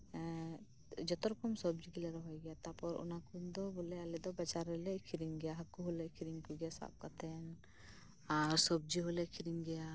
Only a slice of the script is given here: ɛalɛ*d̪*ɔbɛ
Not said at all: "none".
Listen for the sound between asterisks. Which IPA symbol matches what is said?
d̪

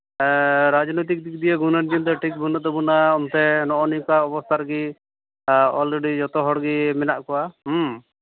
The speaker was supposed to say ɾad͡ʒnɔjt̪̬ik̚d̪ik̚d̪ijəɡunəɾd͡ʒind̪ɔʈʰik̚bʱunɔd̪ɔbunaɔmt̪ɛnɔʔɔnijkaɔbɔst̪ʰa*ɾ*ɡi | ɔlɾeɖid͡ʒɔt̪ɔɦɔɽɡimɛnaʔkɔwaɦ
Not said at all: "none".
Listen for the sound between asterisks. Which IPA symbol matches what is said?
ɾ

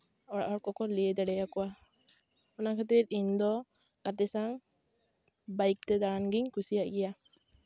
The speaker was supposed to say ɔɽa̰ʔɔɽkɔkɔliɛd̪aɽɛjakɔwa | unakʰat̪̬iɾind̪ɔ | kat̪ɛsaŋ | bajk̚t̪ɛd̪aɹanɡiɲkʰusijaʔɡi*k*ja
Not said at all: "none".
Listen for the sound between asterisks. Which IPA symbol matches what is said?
none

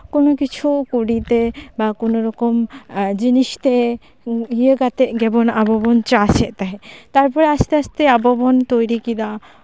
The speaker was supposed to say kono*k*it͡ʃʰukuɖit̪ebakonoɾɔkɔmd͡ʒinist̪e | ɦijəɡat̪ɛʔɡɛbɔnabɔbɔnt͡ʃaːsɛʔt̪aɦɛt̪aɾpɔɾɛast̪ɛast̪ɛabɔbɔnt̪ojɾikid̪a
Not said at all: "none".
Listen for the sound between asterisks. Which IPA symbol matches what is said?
k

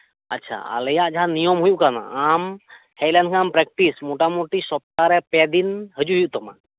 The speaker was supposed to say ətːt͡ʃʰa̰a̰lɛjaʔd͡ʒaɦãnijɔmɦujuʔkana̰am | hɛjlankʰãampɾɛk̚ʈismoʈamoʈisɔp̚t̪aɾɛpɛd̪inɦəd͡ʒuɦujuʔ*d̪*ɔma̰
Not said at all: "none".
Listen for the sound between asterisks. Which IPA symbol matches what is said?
t̪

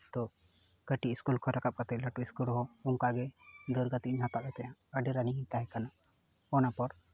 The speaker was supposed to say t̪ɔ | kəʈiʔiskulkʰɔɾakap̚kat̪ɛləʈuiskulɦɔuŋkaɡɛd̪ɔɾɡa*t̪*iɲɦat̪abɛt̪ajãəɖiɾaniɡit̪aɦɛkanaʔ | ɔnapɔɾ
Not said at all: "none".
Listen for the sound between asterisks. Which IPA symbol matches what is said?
t̪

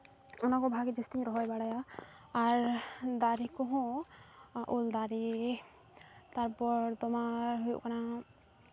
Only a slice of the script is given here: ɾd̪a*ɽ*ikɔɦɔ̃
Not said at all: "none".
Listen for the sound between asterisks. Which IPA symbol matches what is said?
ɾ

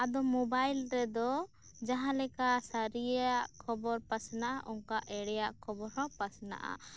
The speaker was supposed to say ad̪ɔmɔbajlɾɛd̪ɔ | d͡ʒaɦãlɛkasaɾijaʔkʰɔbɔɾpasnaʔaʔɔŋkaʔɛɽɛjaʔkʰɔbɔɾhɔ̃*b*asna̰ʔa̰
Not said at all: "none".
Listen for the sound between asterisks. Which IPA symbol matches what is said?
p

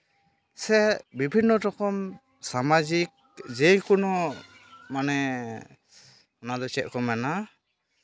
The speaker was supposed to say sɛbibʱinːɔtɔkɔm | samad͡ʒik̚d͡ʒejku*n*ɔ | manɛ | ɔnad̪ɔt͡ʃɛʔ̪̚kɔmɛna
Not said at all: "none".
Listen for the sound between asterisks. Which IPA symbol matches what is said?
n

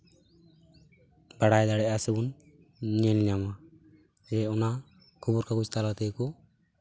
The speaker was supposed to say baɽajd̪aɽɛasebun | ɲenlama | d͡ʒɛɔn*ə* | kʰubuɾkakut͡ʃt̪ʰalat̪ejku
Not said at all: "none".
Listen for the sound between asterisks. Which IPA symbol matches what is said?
a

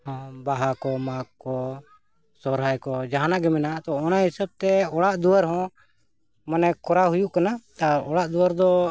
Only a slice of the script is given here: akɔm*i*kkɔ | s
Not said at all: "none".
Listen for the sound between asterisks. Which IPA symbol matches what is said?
a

